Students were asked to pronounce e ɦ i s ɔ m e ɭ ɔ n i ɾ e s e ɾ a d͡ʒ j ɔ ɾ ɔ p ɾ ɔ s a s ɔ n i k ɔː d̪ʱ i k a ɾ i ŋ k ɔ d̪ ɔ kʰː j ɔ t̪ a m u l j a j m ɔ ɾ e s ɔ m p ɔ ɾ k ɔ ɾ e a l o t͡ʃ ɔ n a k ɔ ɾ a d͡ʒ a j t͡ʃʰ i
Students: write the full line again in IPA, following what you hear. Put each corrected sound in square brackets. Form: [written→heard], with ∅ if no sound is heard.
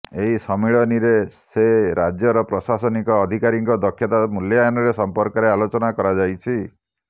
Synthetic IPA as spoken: e ɦ i s ɔ m [e→i] ɭ ɔ n i ɾ e s e ɾ a d͡ʒ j ɔ ɾ ɔ p ɾ ɔ s a s ɔ n i k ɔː d̪ʱ i k a ɾ i ŋ k ɔ d̪ ɔ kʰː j ɔ t̪ a m u l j a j [m→n] ɔ ɾ e s ɔ m p ɔ ɾ k ɔ ɾ e a l o t͡ʃ ɔ n a k ɔ ɾ a d͡ʒ a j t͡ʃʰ i